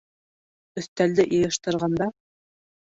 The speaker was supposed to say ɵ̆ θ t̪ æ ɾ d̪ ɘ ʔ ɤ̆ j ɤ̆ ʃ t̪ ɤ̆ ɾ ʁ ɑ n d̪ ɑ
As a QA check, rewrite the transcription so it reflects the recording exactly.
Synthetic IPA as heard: ɵ̆ θ t̪ æ l d̪ ɘ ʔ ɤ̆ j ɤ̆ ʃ t̪ ɤ̆ ɾ ʁ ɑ n d̪ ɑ